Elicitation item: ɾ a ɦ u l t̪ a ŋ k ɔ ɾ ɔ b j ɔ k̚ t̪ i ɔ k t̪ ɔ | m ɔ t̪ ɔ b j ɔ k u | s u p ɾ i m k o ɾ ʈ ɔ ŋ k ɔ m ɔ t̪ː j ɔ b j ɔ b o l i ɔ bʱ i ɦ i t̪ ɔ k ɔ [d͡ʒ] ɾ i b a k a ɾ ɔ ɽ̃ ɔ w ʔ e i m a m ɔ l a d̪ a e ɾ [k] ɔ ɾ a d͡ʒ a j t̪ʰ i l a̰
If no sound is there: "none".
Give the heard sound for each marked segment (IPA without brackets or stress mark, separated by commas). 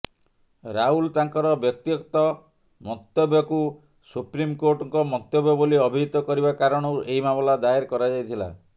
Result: none, k